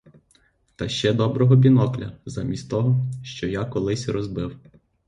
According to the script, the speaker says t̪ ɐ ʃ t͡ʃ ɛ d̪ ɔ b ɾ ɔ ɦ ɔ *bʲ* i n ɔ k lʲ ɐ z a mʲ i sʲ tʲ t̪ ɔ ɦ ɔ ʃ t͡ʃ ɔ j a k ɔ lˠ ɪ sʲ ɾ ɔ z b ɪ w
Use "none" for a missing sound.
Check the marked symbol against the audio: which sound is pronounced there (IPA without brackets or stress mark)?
bʲ